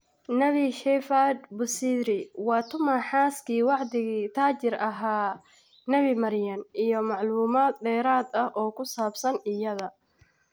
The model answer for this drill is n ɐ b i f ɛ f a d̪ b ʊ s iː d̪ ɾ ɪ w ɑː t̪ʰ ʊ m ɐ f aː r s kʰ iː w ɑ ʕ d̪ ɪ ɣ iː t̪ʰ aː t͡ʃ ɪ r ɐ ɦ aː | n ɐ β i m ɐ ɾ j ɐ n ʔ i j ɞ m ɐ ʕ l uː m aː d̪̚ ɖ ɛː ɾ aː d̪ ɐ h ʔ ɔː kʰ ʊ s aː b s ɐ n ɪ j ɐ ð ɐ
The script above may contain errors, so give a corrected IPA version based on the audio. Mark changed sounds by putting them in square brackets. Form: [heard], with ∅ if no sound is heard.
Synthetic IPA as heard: n ɐ [β] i [ʃ] ɛ f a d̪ b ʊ s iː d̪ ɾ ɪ w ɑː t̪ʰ ʊ m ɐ [ħ] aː [∅] s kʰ iː w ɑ ʕ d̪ ɪ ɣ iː t̪ʰ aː t͡ʃ ɪ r ɐ ɦ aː | n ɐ β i m ɐ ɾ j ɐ n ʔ i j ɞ m [ɑ] ʕ l uː m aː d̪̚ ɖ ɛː ɾ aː d̪ ɐ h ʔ ɔː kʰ ʊ s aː b s ɐ n ɪ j ɐ ð ɐ